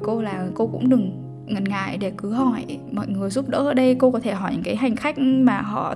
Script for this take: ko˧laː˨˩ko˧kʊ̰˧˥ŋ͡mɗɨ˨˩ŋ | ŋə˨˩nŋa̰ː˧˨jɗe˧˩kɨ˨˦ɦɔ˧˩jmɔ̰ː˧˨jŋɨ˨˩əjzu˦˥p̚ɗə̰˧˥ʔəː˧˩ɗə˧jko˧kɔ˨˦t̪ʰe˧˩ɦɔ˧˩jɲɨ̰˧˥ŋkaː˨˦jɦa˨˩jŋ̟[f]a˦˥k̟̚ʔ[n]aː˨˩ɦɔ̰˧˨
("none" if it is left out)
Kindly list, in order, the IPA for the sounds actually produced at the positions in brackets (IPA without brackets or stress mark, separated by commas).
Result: x, m